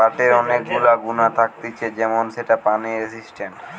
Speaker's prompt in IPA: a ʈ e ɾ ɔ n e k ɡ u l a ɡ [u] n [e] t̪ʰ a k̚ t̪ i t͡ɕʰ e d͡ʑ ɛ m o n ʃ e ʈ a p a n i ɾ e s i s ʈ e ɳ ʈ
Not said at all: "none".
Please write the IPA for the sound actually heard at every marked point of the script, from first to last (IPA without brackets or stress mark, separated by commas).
u, a